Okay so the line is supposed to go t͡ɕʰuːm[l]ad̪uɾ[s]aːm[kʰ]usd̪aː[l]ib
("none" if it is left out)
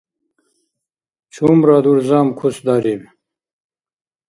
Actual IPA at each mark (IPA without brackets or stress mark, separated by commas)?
ɾ, z, kʰ, ɾ